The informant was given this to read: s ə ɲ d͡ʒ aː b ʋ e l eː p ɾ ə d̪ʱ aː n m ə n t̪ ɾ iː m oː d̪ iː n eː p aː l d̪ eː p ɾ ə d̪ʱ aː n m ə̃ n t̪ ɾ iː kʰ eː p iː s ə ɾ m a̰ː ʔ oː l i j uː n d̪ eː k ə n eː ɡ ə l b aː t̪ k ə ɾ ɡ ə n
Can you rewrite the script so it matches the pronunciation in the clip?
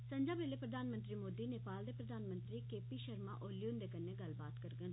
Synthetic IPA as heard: s ə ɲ d͡ʒ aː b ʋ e l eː p ɾ ə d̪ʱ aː n m ə n t̪ ɾ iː m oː d̪ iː n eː p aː l d̪ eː p ɾ ə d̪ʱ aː n m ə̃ n t̪ ɾ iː k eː p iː ʃ ə ɾ m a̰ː ʔ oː l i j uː n d̪ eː k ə n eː ɡ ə l b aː t̪ k ə ɾ ɡ ə n